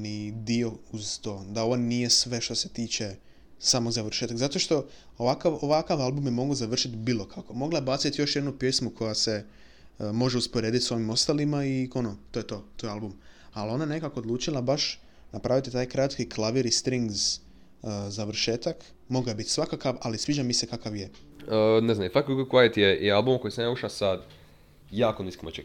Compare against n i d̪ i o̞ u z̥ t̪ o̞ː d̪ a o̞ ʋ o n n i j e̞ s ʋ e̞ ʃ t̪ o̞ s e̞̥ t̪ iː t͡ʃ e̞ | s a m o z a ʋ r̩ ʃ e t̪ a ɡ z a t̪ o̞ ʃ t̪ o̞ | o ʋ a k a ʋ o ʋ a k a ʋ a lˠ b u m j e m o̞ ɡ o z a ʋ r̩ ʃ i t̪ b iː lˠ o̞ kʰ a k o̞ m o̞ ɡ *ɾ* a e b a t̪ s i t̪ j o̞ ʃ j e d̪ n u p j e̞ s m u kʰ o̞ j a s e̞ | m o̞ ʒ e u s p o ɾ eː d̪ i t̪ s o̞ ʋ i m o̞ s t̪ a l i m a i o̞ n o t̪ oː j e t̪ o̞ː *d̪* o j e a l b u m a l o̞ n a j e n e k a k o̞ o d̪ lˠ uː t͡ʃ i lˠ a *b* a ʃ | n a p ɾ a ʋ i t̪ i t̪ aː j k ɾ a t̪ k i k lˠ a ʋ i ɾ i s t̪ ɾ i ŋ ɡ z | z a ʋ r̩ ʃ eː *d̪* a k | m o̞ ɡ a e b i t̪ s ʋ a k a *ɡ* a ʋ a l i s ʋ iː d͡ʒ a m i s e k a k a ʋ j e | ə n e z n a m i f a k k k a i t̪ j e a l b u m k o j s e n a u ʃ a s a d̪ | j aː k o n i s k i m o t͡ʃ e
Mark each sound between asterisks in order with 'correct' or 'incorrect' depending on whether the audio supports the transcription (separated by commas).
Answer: incorrect, incorrect, correct, incorrect, incorrect